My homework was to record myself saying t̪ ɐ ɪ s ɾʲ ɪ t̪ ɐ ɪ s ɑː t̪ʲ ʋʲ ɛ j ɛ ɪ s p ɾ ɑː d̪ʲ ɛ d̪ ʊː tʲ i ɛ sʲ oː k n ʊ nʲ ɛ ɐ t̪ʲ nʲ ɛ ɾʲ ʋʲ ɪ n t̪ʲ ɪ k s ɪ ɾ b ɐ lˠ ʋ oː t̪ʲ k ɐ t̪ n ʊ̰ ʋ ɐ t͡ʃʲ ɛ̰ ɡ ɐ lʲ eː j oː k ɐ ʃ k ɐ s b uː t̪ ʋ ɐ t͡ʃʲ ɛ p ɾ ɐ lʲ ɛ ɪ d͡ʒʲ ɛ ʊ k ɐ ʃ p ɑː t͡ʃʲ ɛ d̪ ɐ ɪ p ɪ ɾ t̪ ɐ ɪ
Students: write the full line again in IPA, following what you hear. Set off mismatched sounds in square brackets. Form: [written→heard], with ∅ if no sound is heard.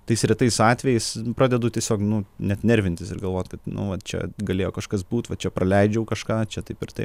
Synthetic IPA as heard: t̪ ɐ ɪ s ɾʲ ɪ t̪ ɐ ɪ s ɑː t̪ʲ ʋʲ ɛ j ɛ ɪ s p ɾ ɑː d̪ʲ ɛ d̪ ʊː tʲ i ɛ sʲ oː k n ʊ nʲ ɛ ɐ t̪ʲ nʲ ɛ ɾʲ ʋʲ ɪ n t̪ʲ ɪ [k→∅] s ɪ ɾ [b→ɡ] ɐ lˠ ʋ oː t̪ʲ k ɐ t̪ n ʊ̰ ʋ ɐ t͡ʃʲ ɛ̰ ɡ ɐ lʲ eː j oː k ɐ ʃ k ɐ s b uː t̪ ʋ ɐ t͡ʃʲ ɛ p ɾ ɐ lʲ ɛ ɪ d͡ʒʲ ɛ ʊ k ɐ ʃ [p→k] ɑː t͡ʃʲ ɛ [d̪→t̪] ɐ ɪ p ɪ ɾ t̪ ɐ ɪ